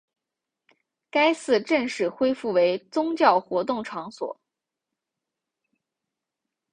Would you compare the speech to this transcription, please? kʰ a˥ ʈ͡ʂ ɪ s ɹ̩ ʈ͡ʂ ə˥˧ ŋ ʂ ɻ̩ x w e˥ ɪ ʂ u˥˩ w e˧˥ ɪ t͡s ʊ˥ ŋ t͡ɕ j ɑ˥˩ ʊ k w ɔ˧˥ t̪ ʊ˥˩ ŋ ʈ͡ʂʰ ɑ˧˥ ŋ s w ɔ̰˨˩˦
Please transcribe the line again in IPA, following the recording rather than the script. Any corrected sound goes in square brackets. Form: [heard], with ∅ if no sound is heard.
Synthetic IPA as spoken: [k] a˥ [∅] ɪ s ɹ̩ ʈ͡ʂ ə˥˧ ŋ ʂ ɻ̩ x w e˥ ɪ [f] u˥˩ w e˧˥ ɪ t͡s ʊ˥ ŋ t͡ɕ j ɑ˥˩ ʊ [x] w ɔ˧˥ t̪ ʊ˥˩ ŋ ʈ͡ʂʰ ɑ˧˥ ŋ s w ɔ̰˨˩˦

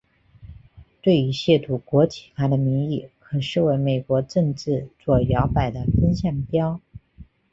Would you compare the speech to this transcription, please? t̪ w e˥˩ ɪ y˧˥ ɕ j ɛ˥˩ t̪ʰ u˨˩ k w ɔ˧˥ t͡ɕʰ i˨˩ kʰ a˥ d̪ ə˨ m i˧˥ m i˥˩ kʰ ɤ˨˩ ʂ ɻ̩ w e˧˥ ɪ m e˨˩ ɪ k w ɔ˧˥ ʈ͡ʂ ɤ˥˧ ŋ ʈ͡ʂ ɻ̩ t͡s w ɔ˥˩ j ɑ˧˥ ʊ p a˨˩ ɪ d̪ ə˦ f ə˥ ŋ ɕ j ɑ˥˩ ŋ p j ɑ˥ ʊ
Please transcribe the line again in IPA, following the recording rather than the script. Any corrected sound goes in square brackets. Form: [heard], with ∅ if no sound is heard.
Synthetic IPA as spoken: t̪ w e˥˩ ɪ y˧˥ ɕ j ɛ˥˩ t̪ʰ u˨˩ k w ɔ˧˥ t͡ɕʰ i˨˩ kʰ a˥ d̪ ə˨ m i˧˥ [ŋ] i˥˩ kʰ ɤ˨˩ ʂ ɻ̩ w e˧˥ ɪ m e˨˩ ɪ k w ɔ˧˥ ʈ͡ʂ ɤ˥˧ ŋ ʈ͡ʂ ɻ̩ t͡s w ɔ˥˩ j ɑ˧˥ ʊ p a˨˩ ɪ d̪ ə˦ f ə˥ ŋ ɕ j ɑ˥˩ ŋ p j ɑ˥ ʊ

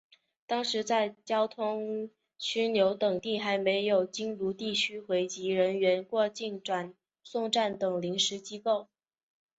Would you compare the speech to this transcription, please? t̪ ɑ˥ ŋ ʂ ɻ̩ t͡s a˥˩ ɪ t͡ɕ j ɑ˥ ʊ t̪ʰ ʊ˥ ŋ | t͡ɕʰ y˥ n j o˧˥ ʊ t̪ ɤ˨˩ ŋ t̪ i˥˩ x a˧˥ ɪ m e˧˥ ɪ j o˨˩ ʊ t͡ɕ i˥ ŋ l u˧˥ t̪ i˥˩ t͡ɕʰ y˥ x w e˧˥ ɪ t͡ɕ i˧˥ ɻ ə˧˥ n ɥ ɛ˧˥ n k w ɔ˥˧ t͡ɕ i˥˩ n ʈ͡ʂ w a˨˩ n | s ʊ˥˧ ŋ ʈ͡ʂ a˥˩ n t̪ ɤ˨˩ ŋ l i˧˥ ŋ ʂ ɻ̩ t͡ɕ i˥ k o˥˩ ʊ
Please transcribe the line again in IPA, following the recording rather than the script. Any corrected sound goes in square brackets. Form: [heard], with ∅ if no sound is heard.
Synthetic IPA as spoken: t̪ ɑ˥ ŋ ʂ ɻ̩ t͡s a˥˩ ɪ t͡ɕ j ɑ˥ ʊ t̪ʰ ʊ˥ ŋ | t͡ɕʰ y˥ n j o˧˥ ʊ t̪ ɤ˨˩ ŋ t̪ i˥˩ x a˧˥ ɪ m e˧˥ ɪ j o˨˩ ʊ t͡ɕ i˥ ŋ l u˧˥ t̪ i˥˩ t͡ɕʰ y˥ x w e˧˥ ɪ t͡ɕ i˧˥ ɻ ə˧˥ n ɥ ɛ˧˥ n k w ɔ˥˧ t͡ɕ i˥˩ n ʈ͡ʂ w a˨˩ n | s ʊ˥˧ ŋ ʈ͡ʂ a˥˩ n t̪ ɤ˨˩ ŋ l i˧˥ ŋ ʂ ɻ̩ t͡ɕ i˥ k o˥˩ ʊ

